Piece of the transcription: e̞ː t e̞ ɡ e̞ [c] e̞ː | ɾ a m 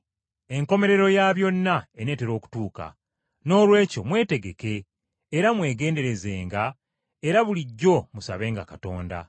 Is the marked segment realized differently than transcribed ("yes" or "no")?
yes